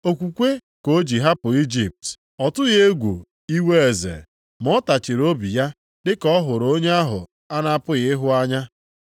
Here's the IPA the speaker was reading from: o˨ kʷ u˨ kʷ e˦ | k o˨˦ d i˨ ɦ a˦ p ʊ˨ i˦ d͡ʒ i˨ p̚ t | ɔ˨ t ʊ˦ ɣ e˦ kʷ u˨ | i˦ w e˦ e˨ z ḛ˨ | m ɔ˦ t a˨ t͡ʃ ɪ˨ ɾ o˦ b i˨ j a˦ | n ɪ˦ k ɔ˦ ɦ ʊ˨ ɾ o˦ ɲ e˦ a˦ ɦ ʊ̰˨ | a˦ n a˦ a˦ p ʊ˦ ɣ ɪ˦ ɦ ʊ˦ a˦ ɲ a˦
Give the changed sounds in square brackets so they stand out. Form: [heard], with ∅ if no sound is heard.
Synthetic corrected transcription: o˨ kʷ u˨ kʷ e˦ | k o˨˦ [d͡ʒ] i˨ ɦ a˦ p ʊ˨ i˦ d͡ʒ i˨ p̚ t | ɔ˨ t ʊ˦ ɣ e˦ [ɡʷ] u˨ | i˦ w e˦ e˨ z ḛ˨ | m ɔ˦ t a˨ t͡ʃ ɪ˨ ɾ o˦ b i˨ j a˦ | [d] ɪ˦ k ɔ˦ ɦ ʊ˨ ɾ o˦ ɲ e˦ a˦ ɦ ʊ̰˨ | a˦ n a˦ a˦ p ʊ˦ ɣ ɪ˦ ɦ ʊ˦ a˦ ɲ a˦